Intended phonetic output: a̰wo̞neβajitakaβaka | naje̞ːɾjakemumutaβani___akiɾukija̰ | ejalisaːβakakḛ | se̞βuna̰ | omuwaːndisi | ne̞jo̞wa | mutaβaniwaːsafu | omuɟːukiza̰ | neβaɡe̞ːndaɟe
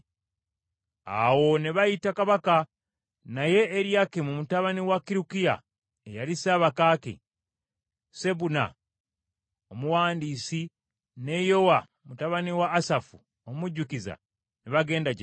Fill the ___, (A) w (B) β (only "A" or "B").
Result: A